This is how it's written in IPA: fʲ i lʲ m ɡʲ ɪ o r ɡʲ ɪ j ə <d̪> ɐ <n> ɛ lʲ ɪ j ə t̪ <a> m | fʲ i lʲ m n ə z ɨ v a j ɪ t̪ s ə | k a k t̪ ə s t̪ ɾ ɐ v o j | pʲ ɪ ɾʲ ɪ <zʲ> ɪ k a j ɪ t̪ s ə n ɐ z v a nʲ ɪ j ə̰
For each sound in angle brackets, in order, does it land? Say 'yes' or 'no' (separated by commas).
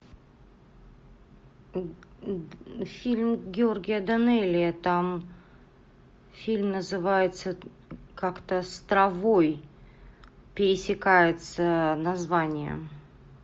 yes, yes, yes, no